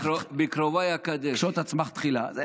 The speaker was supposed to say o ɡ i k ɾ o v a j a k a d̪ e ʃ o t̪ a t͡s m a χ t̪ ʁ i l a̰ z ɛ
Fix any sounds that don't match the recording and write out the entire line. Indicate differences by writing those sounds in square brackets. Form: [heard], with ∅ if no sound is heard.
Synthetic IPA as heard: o [b] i k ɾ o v a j a k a d̪ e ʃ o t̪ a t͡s m a χ t̪ [χ] i l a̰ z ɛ